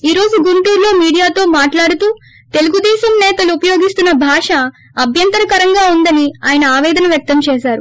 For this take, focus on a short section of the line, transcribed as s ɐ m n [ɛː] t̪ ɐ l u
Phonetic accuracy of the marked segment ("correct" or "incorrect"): correct